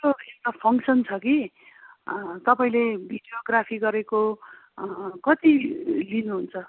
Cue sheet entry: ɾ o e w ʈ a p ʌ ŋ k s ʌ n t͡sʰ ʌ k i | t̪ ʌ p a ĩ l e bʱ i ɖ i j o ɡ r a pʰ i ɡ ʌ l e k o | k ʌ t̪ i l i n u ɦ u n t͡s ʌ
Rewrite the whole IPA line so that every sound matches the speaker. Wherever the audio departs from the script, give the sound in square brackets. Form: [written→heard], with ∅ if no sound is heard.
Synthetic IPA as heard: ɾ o e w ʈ a [p→pʰ] ʌ ŋ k s ʌ n t͡sʰ ʌ k i | t̪ ʌ p a ĩ l e bʱ i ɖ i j o ɡ r a pʰ i ɡ ʌ [l→ɾ] e k o | k ʌ t̪ i l i n u ɦ u n [t͡s→t͡sʰ] ʌ